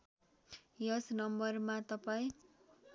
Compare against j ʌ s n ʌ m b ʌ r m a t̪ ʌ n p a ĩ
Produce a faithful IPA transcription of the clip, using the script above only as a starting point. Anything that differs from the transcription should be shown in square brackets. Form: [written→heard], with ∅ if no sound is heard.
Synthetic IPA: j ʌ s n ʌ m b ʌ r m a t̪ ʌ [n→∅] p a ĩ